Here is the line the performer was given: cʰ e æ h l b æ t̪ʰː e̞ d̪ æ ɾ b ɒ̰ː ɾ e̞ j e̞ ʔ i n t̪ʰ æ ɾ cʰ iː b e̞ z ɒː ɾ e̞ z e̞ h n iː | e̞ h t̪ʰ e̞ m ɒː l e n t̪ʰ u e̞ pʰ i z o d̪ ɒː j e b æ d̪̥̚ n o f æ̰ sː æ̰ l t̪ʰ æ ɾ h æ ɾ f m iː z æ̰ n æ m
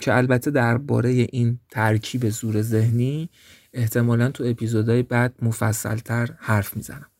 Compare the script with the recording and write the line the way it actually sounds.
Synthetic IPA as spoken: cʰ e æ l b æ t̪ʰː e̞ d̪ æ ɾ b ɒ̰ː ɾ e̞ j e̞ ʔ i n t̪ʰ æ ɾ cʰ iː b e̞ z uː ɾ e̞ z e̞ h n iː | e̞ h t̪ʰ e̞ m ɒː l æ n t̪ʰ u e̞ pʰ i z o d̪ ɒː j e b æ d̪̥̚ m o f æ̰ sː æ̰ l t̪ʰ æ ɾ h æ ɾ f m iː z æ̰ n æ m